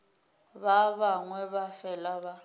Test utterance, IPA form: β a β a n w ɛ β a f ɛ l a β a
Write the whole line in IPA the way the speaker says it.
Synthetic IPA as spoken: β a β a ŋ w ɛ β a f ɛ l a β a